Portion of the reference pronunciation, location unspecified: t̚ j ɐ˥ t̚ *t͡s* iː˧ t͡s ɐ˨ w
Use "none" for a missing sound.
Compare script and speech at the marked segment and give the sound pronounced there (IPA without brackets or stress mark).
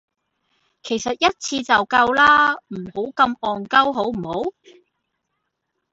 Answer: t͡sʰ